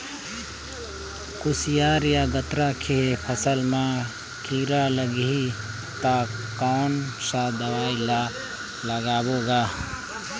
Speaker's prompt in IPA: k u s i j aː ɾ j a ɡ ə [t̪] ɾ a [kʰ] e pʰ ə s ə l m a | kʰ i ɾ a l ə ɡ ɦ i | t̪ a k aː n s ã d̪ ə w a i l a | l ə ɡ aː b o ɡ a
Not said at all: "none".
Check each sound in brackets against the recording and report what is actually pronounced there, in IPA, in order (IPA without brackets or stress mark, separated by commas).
t̪, kʰ